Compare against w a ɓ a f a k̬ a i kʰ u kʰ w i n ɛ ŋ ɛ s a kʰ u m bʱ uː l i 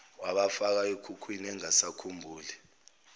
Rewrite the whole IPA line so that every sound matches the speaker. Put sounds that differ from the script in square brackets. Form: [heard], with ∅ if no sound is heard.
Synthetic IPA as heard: w a ɓ a f a k̬ a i kʰ u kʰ w i n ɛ ŋ [a] s a kʰ u m bʱ uː l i

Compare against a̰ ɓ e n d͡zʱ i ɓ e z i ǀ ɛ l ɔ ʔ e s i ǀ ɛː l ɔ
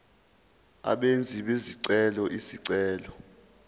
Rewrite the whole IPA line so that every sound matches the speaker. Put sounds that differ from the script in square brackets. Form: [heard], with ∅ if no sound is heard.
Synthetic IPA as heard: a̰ ɓ e n d͡zʱ i ɓ e z i ǀ ɛ l ɔ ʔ [i] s i ǀ ɛː l ɔ

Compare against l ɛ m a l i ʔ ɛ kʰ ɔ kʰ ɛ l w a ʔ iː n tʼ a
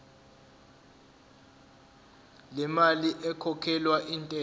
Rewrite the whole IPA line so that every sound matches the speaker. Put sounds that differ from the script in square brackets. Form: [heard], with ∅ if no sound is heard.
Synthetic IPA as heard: l ɛ m a l i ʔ ɛ kʰ ɔ kʰ ɛ l w a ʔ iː n tʼ [ɛ]

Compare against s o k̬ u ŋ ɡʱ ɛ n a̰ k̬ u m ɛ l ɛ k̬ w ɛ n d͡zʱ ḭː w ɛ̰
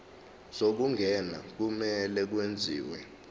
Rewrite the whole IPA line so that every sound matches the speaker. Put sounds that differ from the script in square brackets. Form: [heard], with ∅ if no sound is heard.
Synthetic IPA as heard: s o k̬ u ŋ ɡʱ ɛ n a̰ k̬ u m ɛ l ɛ k̬ w [e] n d͡zʱ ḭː w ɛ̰

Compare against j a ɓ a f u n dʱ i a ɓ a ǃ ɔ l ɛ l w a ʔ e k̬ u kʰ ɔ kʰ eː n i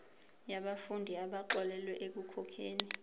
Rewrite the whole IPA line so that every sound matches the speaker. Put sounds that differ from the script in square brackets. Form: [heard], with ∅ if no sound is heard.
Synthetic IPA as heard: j a ɓ a f u n dʱ i a ɓ a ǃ ɔ l ɛ l w [ɛ] ʔ e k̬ u kʰ ɔ kʰ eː n i

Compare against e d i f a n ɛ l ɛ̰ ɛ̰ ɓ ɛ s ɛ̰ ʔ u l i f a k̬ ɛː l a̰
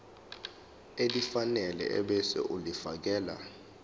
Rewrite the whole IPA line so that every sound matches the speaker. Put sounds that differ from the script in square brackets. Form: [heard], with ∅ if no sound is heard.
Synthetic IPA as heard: e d i f a n ɛ l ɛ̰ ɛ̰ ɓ ɛ s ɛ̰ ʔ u l i f a k̬ ɛː l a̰

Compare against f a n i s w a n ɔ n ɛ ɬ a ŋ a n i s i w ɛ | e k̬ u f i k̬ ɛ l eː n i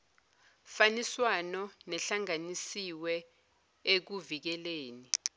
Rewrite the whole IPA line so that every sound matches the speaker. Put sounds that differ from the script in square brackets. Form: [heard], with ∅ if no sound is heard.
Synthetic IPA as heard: f a n i s w a n ɔ n ɛ ɬ a ŋ a n i s i w ɛ | e k̬ u [v] i k̬ ɛ l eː n i

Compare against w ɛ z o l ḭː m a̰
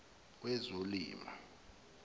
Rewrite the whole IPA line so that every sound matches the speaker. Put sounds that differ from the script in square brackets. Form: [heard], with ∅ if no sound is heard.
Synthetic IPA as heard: w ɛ z o l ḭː m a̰

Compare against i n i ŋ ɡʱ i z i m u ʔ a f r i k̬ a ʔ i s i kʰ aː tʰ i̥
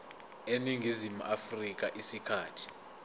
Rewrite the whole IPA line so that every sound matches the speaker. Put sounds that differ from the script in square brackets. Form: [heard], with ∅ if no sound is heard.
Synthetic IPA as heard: [e] n i ŋ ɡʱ i z i m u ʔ a f r i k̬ a ʔ i s i kʰ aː tʰ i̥

